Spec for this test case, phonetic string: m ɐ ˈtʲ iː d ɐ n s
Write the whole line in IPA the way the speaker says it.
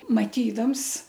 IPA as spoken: m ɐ ˈtʲ iː d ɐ m s